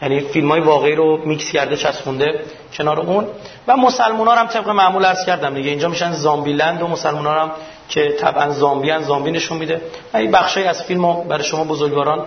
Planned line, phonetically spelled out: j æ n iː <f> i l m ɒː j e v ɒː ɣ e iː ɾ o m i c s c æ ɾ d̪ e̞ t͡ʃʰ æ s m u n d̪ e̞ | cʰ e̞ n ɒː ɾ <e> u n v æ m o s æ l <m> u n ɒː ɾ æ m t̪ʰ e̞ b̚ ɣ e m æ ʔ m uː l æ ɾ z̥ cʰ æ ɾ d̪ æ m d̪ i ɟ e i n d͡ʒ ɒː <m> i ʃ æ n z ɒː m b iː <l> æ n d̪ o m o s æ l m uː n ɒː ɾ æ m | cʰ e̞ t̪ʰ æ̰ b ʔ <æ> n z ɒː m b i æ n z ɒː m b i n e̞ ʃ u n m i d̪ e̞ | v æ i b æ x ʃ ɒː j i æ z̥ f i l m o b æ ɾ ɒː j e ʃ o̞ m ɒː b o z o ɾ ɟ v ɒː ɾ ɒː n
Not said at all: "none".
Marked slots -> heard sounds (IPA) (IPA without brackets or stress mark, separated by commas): f, e, m, m, l, æ